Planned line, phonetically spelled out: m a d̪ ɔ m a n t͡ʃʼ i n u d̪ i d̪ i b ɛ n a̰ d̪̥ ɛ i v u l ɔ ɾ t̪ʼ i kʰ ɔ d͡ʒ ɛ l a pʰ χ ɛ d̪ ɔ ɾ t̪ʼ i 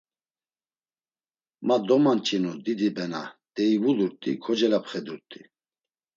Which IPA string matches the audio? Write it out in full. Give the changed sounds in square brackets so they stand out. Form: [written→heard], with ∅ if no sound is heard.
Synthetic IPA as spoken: m a d̪ ɔ m a n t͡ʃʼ i n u d̪ i d̪ i b ɛ n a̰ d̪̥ ɛ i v u l [ɔ→u] ɾ t̪ʼ i kʰ ɔ d͡ʒ ɛ l a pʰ χ ɛ d̪ [ɔ→u] ɾ t̪ʼ i